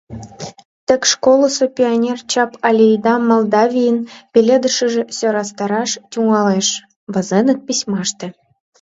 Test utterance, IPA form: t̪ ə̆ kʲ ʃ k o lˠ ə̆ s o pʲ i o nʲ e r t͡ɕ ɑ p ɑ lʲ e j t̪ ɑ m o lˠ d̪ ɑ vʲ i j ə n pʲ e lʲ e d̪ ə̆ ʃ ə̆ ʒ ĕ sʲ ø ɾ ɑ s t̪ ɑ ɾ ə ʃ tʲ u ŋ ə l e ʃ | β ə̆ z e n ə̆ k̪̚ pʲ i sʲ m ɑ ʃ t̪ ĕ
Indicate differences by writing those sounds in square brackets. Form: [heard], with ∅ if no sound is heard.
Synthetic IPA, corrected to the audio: t̪ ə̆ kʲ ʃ k o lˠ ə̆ s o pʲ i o nʲ e r t͡ɕ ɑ p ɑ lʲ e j [d̪] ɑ m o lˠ d̪ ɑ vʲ i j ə n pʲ e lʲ e d̪ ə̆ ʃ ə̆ ʒ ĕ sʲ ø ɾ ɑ s t̪ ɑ ɾ [ɑ] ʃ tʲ u ŋ [ɑ] l e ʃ | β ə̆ z e n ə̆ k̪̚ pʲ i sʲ m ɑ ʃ t̪ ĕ